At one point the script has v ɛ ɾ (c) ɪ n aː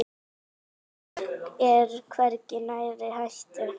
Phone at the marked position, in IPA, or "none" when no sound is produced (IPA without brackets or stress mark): c